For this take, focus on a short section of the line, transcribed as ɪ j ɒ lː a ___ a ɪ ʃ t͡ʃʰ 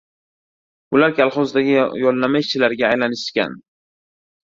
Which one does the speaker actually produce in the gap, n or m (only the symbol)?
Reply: m